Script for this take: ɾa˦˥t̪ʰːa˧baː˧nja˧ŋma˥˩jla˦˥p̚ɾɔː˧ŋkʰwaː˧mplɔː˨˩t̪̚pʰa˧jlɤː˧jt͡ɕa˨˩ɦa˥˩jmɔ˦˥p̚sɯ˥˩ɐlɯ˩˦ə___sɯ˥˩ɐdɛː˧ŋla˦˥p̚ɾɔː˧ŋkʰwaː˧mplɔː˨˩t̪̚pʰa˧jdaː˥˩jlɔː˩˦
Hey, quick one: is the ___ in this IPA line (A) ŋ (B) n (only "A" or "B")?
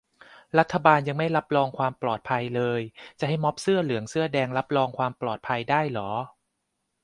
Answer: A